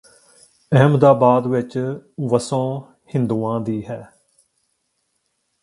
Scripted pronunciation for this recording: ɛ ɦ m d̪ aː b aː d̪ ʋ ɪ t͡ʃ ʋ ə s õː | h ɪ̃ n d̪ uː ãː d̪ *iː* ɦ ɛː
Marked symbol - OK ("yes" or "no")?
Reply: yes